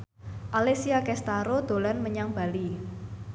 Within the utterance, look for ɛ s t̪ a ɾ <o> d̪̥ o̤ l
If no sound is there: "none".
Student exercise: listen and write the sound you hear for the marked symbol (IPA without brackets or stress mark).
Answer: o